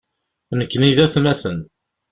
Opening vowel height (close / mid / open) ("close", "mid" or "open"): mid